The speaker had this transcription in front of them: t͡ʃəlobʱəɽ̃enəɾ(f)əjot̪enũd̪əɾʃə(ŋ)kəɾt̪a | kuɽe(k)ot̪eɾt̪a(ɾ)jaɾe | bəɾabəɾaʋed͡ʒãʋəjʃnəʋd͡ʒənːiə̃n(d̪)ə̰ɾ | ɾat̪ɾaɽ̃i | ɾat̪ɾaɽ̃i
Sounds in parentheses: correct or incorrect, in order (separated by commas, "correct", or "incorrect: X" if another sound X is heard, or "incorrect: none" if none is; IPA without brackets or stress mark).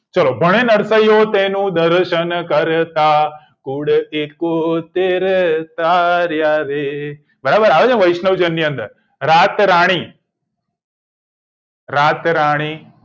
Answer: incorrect: s, incorrect: n, correct, correct, correct